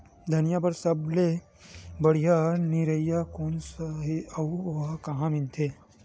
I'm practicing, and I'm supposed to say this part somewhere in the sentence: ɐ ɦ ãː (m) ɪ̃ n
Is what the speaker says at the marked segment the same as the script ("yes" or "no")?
yes